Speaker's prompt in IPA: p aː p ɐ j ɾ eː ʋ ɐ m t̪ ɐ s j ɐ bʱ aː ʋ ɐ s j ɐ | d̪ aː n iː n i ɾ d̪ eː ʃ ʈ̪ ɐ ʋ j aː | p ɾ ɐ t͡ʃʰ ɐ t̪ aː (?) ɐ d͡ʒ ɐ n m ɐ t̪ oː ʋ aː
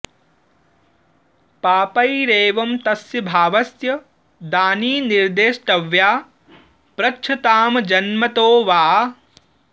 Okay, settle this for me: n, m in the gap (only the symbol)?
m